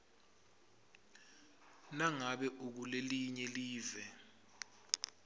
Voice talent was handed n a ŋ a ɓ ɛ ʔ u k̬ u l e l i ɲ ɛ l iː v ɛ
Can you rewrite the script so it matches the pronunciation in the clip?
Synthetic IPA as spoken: n a ŋ a ɓ ɛ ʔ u k̬ u l e l i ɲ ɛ l iː v ɛ